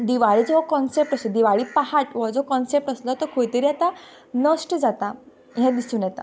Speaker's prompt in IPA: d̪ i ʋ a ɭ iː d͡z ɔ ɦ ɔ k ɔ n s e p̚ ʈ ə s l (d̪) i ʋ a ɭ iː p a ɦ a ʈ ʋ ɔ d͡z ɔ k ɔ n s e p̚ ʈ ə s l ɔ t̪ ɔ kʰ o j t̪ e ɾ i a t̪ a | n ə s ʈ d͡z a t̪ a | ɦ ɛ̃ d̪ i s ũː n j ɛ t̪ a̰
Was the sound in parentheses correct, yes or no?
yes